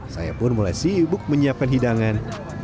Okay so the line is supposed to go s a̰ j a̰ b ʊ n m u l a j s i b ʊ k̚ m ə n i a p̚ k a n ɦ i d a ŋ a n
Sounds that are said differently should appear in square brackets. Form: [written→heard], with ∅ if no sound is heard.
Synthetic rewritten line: s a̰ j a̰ [b→p] ʊ n m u l a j s i b ʊ k̚ m ə [n→ɲ] i a p̚ k a n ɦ i d a ŋ a n